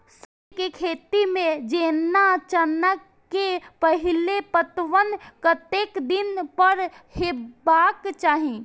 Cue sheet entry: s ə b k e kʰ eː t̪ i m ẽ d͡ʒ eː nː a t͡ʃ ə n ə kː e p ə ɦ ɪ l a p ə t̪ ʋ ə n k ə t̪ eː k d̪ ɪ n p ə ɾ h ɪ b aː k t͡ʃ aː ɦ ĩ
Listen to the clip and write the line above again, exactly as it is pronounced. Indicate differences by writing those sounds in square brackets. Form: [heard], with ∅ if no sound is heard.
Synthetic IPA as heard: s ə b k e kʰ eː t̪ i m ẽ d͡ʒ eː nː a t͡ʃ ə n ə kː e p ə ɦ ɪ l [e] p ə t̪ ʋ ə n k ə t̪ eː k d̪ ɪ n p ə ɾ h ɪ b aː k t͡ʃ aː ɦ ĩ